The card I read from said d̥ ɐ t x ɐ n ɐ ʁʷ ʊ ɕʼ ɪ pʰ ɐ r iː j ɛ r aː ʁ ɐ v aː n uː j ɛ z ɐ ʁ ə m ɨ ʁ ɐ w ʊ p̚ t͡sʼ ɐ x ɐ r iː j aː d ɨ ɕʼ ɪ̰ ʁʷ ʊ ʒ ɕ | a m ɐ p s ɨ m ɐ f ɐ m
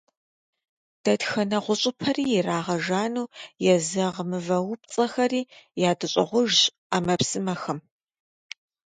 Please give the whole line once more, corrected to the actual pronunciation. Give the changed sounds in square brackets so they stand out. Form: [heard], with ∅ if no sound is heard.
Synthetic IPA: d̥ ɐ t x ɐ n ɐ ʁʷ ʊ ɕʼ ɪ pʰ ɐ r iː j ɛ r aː ʁ ɐ [ʒ] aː n uː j ɛ z ɐ ʁ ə m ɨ [v] ɐ w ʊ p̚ t͡sʼ ɐ x ɐ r iː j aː d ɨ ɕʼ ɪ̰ ʁʷ ʊ ʒ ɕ | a m ɐ p s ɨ m ɐ [x] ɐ m